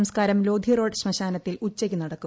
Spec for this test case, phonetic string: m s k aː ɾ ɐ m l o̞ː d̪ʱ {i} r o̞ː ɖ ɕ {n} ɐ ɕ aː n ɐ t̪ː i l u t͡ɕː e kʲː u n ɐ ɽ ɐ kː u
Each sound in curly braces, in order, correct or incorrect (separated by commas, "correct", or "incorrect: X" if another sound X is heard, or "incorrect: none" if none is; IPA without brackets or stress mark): correct, incorrect: m